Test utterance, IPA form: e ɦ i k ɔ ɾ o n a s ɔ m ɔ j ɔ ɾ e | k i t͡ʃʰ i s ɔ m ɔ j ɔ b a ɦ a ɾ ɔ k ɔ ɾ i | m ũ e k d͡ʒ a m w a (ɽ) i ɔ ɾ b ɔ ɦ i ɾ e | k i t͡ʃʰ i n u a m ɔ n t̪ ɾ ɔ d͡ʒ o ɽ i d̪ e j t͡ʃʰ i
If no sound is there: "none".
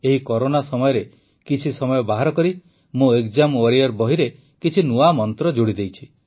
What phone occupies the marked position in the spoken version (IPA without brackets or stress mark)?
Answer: ɾ